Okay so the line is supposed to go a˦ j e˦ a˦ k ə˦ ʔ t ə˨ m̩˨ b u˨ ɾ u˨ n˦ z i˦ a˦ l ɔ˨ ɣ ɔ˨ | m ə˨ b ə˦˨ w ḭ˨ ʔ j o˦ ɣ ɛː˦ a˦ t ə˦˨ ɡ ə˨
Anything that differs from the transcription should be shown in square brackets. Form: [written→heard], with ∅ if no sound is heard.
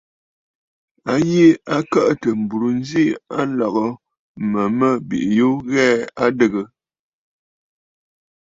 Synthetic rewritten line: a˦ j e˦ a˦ k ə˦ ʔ t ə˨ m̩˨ b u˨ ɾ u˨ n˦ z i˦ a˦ l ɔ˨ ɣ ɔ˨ | m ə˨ [b→m] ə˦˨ [w→b] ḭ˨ ʔ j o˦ ɣ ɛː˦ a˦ [t→d] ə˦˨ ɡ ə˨